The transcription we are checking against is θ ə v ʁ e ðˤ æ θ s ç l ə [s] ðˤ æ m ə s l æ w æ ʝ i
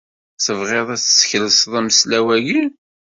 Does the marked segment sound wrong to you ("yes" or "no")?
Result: no